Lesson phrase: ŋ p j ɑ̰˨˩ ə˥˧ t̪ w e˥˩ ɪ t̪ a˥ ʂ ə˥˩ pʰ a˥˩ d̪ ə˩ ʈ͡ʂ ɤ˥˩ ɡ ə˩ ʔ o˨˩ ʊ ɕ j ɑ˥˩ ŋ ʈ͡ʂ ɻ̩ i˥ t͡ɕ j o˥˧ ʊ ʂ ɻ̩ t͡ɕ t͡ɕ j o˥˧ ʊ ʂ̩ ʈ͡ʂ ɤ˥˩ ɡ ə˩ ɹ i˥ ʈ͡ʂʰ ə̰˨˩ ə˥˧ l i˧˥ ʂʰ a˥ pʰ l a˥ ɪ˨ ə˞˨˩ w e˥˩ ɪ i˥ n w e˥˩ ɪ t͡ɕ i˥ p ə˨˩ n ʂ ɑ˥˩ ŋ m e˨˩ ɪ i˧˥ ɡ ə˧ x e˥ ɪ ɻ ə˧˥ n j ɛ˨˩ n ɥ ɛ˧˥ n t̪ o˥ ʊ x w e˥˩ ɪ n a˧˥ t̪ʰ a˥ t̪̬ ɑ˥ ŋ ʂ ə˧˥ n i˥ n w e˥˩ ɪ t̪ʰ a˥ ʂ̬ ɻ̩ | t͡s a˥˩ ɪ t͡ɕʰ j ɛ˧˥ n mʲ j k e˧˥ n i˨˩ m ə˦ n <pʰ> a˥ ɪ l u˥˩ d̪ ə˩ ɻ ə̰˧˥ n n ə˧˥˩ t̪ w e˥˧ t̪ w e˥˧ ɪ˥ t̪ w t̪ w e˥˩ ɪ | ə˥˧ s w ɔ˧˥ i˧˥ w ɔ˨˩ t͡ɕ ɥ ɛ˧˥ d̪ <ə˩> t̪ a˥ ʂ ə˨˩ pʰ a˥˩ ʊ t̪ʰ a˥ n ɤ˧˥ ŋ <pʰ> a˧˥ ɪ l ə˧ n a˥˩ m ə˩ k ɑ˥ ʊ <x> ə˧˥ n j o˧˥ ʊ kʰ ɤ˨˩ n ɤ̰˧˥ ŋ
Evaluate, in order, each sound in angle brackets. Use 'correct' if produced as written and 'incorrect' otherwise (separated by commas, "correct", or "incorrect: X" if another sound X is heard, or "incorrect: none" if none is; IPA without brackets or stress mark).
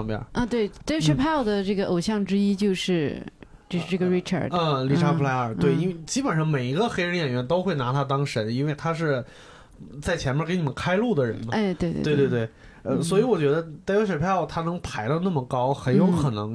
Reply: incorrect: kʰ, incorrect: ə˧, correct, correct